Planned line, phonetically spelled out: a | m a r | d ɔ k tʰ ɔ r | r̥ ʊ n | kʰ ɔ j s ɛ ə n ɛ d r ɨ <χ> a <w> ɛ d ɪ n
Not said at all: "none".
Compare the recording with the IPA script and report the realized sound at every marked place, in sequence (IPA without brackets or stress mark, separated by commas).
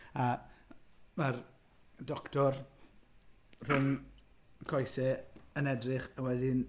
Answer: χ, w